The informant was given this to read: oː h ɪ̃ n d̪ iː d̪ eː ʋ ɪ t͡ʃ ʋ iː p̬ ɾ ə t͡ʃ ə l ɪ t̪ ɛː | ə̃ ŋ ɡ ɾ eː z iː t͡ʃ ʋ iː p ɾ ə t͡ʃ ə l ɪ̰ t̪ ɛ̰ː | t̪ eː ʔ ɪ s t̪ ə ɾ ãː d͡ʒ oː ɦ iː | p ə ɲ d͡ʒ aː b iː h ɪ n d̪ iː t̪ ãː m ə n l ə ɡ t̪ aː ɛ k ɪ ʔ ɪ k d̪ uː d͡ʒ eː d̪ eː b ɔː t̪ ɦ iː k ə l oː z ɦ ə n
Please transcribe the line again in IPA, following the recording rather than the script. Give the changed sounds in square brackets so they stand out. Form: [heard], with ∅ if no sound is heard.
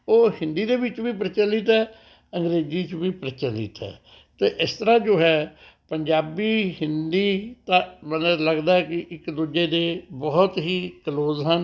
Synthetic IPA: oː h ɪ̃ n d̪ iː d̪ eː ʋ ɪ t͡ʃ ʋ iː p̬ ɾ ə t͡ʃ ə l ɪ t̪ ɛː | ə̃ ŋ ɡ ɾ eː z iː t͡ʃ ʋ iː p ɾ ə t͡ʃ ə l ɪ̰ t̪ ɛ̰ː | t̪ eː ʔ ɪ s t̪ ə ɾ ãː d͡ʒ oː ɦ [ɛː] | p ə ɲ d͡ʒ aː b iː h ɪ n d̪ iː t̪ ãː m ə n l ə ɡ [d̪] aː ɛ k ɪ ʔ ɪ k d̪ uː d͡ʒ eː d̪ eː b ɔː t̪ ɦ iː k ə l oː z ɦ ə n